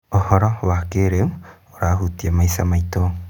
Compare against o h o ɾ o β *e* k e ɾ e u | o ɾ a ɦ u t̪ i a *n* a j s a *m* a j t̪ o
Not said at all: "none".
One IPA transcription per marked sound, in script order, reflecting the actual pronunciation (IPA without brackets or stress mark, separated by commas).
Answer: a, m, m